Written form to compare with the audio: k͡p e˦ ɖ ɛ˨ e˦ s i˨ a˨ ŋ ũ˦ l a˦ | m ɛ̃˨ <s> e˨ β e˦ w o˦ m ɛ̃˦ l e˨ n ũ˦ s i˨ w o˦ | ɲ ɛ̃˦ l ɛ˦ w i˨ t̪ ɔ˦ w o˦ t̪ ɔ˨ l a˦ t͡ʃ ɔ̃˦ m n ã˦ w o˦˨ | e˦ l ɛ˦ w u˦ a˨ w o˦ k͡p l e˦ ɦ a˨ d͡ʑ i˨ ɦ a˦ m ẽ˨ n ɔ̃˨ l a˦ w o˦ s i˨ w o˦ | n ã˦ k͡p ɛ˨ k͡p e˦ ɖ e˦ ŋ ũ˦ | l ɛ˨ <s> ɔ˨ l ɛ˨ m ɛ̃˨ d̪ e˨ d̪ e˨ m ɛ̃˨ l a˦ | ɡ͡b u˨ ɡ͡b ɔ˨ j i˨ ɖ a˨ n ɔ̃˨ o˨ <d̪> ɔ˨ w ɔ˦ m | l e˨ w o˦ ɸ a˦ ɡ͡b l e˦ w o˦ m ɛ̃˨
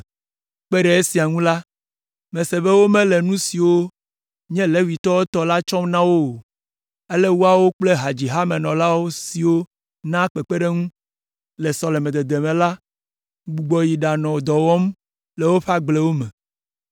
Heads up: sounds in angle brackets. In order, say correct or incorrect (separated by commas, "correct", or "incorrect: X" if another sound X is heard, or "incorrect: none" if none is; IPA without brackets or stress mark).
correct, correct, correct